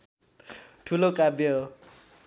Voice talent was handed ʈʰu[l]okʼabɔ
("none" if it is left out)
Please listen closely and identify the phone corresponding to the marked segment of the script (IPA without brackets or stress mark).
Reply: l